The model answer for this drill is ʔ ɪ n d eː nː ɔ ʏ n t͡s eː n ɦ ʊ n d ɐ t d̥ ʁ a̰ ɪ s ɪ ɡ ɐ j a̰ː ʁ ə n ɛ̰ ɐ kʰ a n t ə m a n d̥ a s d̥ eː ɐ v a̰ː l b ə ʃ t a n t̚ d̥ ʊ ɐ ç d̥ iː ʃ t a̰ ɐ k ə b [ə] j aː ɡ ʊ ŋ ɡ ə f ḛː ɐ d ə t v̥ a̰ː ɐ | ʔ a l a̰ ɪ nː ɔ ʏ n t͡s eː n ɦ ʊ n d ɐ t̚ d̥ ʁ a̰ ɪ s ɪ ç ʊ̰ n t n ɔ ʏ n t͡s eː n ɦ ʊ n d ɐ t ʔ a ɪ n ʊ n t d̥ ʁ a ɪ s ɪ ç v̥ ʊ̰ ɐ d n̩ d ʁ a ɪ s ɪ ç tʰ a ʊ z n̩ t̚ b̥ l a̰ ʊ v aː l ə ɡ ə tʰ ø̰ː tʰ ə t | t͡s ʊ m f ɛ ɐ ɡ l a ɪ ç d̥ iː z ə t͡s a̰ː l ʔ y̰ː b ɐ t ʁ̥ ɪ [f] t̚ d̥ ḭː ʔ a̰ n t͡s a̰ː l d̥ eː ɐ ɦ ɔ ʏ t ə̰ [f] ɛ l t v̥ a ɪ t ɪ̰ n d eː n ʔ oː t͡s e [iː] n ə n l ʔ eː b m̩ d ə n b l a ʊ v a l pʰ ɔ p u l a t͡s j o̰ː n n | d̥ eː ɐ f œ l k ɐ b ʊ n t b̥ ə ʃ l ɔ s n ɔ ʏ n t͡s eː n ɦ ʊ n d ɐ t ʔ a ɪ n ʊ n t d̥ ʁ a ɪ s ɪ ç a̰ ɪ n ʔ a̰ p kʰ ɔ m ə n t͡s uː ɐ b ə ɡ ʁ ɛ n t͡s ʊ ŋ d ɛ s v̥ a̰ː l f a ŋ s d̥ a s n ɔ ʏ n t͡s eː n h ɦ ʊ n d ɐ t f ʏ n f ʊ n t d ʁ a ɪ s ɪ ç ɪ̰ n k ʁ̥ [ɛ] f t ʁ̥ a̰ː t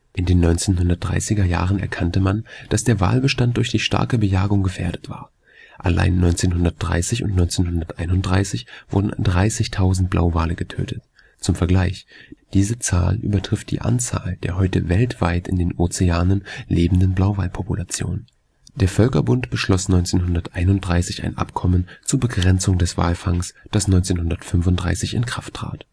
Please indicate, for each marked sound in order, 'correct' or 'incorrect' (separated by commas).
correct, correct, incorrect, incorrect, incorrect